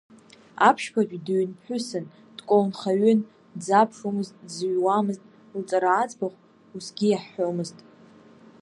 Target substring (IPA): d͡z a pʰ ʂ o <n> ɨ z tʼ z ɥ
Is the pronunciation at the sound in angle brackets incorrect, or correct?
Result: incorrect: m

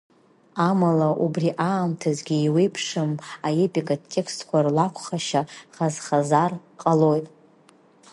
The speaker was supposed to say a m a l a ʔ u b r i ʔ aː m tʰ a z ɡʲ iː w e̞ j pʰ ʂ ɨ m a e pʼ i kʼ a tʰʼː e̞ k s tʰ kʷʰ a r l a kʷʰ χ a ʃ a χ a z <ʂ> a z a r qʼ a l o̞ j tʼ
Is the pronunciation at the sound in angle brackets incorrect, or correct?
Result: incorrect: χ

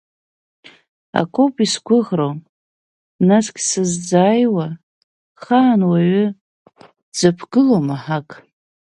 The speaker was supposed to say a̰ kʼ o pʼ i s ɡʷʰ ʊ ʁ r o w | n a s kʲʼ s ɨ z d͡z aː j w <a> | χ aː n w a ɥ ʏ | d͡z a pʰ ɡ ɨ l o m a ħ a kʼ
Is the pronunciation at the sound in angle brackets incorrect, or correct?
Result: correct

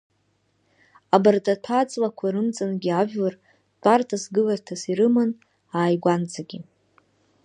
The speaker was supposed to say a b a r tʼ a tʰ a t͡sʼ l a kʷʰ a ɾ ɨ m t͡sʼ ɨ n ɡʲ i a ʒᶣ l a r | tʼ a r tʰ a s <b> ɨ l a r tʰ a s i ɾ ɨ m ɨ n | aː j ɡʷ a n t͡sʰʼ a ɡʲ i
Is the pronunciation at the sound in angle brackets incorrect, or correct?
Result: incorrect: ɡ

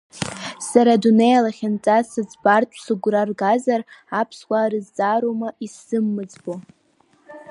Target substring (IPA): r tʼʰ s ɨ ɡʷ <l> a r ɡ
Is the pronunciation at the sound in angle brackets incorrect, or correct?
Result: incorrect: r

